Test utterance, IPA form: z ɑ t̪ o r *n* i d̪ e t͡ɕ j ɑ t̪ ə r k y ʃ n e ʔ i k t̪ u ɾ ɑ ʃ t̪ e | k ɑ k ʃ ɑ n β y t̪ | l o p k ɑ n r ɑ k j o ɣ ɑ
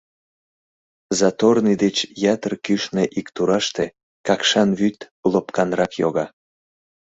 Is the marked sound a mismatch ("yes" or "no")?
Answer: no